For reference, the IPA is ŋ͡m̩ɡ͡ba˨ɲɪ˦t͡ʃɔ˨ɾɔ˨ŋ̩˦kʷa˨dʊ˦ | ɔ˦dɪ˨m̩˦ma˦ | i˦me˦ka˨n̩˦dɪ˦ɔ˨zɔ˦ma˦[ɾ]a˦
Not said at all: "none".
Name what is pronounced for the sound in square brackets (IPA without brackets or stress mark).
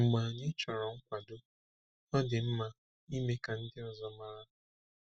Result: ɾ